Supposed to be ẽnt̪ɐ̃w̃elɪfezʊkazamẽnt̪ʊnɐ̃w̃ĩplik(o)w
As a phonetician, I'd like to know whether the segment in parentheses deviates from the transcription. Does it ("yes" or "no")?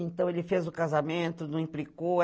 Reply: no